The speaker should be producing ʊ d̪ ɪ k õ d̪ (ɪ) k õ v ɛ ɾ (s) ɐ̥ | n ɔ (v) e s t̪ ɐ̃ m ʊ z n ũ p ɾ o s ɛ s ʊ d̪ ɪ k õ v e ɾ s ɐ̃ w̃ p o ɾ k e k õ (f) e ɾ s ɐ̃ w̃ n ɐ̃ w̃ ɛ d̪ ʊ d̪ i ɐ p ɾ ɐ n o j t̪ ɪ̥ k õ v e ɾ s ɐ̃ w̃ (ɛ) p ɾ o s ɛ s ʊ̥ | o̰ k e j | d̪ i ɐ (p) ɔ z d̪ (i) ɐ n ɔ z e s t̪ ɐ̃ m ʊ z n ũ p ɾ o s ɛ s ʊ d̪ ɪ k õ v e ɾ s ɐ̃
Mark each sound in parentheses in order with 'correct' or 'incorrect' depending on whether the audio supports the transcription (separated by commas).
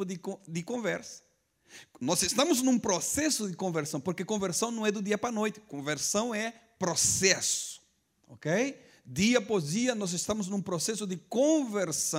correct, correct, incorrect, incorrect, correct, correct, correct